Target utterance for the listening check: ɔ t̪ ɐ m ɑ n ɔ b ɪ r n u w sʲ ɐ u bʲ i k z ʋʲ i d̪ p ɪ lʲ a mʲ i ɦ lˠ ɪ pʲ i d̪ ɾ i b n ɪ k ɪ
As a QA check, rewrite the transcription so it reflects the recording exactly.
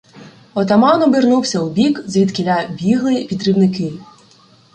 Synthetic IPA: ɔ t̪ ɐ m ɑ n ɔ b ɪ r n u w sʲ ɐ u bʲ i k z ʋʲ i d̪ k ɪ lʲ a bʲ i ɦ lˠ ɪ pʲ i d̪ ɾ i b n ɪ k ɪ

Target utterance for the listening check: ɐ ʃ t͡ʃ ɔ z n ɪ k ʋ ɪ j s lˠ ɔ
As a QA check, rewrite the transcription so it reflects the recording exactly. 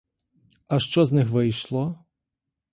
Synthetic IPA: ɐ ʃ t͡ʃ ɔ z n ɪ x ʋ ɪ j ʃ lˠ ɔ

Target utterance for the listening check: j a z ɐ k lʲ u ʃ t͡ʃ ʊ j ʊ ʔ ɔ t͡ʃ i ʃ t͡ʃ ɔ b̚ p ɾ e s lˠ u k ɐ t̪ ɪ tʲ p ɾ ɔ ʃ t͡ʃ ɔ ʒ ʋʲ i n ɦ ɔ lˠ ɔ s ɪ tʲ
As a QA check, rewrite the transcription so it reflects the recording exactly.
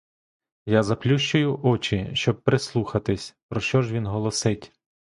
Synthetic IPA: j a z ɐ p lʲ u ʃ t͡ʃ ʊ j ʊ ʔ ɔ t͡ʃ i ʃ t͡ʃ ɔ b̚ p ɾ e s lˠ u x ɐ t̪ ɪ sʲ p ɾ ɔ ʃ t͡ʃ ɔ ʒ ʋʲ i n ɦ ɔ lˠ ɔ s ɪ tʲ

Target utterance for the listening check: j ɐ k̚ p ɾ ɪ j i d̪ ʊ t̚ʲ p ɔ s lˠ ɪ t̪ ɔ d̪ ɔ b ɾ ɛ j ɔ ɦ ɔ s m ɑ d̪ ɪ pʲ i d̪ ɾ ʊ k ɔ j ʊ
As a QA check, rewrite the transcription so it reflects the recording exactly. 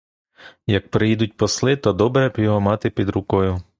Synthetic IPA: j ɐ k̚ p ɾ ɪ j i d̪ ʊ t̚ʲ p ɔ s lˠ ɪ t̪ ɔ d̪ ɔ b ɾ ɛ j ɔ ɦ ɔ m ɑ t̪ ɪ pʲ i d̪ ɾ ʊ k ɔ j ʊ

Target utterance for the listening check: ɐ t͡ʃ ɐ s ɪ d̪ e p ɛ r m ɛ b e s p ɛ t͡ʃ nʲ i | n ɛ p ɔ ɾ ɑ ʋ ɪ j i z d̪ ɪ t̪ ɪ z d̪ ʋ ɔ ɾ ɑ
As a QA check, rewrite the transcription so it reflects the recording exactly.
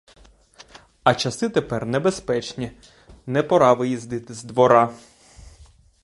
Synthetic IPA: ɐ t͡ʃ ɐ s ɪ t̪ e p ɛ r n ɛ b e s p ɛ t͡ʃ nʲ i | n ɛ p ɔ ɾ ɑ ʋ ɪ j i z d̪ ɪ t̪ ɪ z d̪ ʋ ɔ ɾ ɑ

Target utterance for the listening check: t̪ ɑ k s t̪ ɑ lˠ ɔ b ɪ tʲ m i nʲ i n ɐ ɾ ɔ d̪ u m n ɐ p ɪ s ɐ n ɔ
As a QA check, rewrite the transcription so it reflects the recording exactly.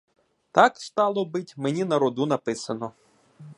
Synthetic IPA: t̪ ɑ k s t̪ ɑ lˠ ɔ b ɪ tʲ m e nʲ i n ɐ ɾ ɔ d̪ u n ɐ p ɪ s ɐ n ɔ

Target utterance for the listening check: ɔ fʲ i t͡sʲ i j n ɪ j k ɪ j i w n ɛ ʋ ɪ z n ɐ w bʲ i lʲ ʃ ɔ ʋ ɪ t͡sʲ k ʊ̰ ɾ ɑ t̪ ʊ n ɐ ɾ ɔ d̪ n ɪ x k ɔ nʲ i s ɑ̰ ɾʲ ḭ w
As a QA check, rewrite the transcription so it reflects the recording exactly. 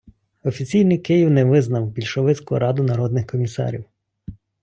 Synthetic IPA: ɔ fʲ i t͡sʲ i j n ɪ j k ɪ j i w n ɛ ʋ ɪ z n ɐ w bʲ i lʲ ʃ ɔ ʋ ɪ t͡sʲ k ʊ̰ ɾ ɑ d̪ ʊ n ɐ ɾ ɔ d̪ n ɪ x k ɔ mʲ i s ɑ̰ ɾʲ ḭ w

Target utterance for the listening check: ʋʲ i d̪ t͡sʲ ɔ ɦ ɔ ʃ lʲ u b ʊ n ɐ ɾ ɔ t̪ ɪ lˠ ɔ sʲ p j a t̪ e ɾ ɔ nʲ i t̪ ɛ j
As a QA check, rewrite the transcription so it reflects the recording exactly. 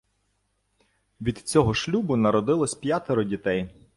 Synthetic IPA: ʋʲ i d̪ t͡sʲ ɔ ɦ ɔ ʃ lʲ u b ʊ n ɐ ɾ ɔ d̪ ɪ lˠ ɔ sʲ p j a t̪ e ɾ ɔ dʲ i t̪ ɛ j

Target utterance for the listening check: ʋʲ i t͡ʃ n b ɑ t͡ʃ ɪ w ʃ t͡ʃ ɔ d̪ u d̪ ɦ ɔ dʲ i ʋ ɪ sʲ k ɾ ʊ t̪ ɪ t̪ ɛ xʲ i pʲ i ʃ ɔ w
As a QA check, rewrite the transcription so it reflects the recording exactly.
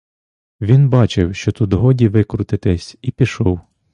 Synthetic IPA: ʋʲ i n b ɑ t͡ʃ ɪ w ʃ t͡ʃ ɔ t̪ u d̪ ɦ ɔ dʲ i ʋ ɪ k ɾ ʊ t̪ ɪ t̪ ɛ sʲ i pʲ i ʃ ɔ w

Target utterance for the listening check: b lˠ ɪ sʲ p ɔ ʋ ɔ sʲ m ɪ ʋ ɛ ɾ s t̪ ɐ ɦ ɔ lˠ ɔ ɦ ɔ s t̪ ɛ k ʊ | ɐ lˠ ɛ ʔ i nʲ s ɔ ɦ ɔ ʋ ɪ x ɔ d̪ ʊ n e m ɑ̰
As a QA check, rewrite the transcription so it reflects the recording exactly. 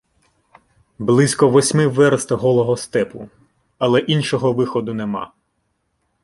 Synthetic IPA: b lˠ ɪ sʲ k ɔ ʋ ɔ sʲ m ɪ ʋ ɛ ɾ s t̪ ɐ ɦ ɔ lˠ ɔ ɦ ɔ s t̪ ɛ p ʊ | ɐ lˠ ɛ ʔ i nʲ ʃ ɔ ɦ ɔ ʋ ɪ x ɔ d̪ ʊ n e m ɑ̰

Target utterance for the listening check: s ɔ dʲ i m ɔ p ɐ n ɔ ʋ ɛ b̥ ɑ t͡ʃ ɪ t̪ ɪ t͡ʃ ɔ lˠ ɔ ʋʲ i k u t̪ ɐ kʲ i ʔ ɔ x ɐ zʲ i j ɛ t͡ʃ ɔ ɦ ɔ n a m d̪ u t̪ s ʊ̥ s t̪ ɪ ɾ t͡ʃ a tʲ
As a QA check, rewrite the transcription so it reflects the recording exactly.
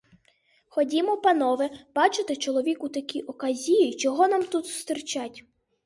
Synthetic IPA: x ɔ dʲ i m ɔ p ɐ n ɔ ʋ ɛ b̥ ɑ t͡ʃ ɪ t̪ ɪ t͡ʃ ɔ lˠ ɔ ʋʲ i k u t̪ ɐ kʲ i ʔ ɔ k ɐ zʲ i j i t͡ʃ ɔ ɦ ɔ n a m t̪ u t̪ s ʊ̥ s t̪ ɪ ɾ t͡ʃ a tʲ

